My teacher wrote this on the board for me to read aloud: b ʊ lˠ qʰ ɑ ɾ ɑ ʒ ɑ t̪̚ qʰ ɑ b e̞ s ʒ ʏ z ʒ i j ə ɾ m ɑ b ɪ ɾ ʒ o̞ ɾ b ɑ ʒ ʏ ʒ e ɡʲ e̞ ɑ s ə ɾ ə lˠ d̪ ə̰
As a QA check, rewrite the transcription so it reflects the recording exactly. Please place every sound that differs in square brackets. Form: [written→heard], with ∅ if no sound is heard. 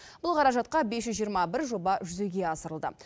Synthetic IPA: b ʊ lˠ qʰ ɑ ɾ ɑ ʒ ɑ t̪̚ [qʰ→q] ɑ b e̞ s ʒ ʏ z ʒ i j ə ɾ m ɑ b ɪ ɾ ʒ o̞ [ɾ→∅] b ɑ ʒ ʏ [ʒ→z] e ɡʲ e̞ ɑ s ə ɾ ə lˠ d̪ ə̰